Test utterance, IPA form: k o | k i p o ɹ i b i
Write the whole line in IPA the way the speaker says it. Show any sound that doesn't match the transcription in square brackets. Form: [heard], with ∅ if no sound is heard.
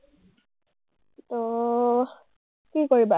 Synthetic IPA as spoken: [t] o | k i [k] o ɹ i b [a]